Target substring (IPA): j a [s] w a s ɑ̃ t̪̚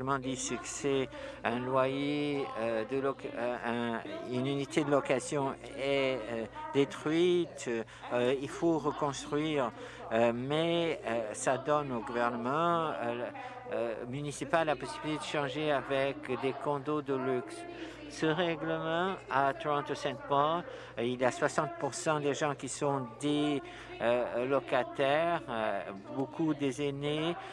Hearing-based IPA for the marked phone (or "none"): s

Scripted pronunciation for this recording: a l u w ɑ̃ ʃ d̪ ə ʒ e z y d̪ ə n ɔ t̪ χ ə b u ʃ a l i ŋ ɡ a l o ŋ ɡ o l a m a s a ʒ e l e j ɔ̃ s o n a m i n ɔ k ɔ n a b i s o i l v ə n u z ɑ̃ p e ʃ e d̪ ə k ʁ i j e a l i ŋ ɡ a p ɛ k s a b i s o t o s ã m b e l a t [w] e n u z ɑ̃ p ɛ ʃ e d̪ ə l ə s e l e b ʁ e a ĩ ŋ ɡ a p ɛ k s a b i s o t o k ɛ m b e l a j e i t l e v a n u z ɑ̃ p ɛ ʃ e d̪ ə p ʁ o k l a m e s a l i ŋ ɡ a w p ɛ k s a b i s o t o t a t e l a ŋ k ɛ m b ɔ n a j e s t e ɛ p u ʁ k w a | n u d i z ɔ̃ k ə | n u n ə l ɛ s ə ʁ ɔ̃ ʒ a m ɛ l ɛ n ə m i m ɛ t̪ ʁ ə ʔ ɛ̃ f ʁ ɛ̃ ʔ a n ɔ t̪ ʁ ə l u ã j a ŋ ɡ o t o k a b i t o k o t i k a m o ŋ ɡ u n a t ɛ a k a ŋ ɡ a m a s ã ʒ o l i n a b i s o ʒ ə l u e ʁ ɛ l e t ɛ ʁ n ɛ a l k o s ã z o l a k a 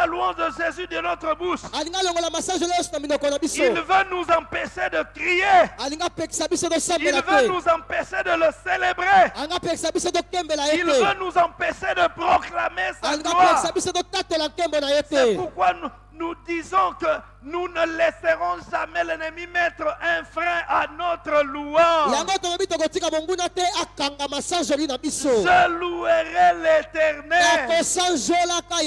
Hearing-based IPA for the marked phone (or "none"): v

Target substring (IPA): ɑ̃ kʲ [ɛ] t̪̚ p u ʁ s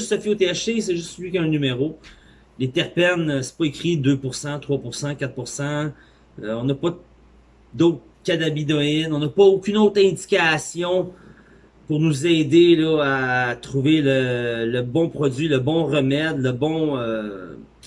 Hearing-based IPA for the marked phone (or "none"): a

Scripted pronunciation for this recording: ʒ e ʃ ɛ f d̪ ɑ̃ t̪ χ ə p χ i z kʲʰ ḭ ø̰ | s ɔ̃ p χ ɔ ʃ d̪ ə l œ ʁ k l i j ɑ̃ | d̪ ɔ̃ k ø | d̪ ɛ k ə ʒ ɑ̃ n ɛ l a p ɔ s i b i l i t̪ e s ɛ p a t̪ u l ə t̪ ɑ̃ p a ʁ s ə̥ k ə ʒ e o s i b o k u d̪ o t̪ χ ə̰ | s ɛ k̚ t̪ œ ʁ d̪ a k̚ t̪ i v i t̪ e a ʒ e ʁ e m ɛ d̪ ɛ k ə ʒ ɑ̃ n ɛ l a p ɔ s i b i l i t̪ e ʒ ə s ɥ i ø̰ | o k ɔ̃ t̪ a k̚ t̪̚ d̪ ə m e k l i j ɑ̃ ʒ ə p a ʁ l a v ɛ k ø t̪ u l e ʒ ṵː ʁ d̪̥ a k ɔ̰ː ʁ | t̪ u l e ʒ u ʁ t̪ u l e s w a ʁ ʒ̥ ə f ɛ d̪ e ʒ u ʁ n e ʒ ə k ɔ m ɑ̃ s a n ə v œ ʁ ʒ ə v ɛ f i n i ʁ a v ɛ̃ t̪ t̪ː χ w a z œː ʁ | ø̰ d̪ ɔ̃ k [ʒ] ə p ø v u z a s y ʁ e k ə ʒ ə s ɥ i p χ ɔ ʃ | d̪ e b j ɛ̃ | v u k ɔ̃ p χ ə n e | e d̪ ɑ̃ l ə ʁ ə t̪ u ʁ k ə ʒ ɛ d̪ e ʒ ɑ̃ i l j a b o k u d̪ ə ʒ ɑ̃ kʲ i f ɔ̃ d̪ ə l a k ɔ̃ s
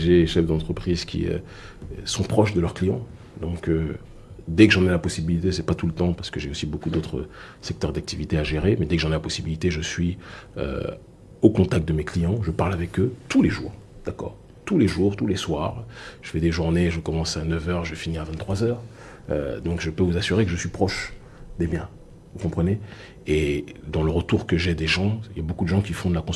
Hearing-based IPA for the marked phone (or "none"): ʒ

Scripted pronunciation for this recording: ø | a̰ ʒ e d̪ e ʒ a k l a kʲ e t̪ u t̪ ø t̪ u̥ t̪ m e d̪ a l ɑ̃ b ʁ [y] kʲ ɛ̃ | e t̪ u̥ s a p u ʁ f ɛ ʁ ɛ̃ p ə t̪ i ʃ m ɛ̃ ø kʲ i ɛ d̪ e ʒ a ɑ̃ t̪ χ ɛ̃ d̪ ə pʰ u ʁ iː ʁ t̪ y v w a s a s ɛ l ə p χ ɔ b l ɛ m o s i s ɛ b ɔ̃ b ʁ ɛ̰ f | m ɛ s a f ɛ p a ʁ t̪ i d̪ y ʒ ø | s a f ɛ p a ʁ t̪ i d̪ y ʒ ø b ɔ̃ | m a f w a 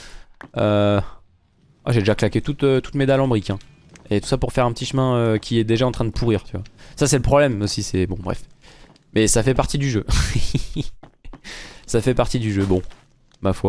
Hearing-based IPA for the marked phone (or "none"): i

